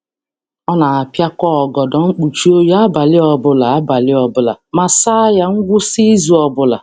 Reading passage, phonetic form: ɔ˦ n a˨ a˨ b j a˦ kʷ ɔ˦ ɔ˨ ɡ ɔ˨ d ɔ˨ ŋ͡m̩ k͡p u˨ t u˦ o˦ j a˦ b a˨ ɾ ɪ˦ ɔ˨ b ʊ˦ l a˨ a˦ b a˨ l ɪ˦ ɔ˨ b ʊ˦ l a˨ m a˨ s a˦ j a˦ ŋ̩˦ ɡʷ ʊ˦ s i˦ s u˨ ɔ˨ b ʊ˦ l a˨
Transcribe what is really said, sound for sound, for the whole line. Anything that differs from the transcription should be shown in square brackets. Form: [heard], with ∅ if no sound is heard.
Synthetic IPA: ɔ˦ n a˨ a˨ [p] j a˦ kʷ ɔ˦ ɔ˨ ɡ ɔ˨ d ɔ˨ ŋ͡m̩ k͡p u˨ [t͡ʃ] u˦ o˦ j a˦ b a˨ [l] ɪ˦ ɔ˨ b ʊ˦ l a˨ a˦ b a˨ l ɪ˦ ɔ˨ b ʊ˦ l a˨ m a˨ s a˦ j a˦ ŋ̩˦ ɡʷ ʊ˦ s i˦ [z] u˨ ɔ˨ b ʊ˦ l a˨